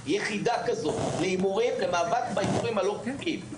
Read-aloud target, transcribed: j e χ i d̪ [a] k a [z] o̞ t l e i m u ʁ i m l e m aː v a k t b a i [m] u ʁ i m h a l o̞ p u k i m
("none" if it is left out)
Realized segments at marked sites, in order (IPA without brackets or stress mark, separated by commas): a, z, m